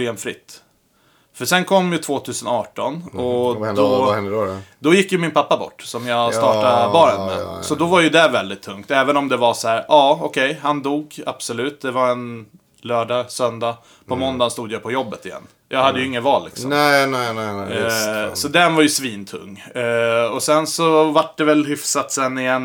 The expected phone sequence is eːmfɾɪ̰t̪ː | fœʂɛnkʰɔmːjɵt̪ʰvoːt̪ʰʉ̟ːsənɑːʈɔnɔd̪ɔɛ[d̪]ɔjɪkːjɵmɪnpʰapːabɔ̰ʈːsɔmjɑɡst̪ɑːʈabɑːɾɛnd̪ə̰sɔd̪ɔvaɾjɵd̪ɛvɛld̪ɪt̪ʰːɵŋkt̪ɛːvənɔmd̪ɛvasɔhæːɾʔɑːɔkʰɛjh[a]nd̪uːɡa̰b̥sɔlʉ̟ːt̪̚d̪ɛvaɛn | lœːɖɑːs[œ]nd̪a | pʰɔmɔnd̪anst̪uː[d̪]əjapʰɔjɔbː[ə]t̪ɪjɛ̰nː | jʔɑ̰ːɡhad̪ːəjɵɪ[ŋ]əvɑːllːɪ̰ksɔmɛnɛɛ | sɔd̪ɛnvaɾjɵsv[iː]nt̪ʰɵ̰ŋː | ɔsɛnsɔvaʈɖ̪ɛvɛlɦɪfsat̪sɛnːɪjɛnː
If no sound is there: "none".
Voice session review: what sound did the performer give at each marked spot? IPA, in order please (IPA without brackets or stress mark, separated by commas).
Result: d̪, a, œ, d̪, ə, ŋː, iː